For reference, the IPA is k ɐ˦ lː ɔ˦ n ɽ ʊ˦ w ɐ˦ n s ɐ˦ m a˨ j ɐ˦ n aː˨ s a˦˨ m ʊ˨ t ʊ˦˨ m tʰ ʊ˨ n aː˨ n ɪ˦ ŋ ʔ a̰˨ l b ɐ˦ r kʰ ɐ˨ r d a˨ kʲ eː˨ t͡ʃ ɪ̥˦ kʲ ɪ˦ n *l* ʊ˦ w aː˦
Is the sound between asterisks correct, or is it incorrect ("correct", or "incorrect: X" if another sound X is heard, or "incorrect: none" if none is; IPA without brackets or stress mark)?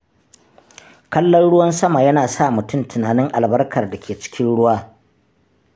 incorrect: ɽ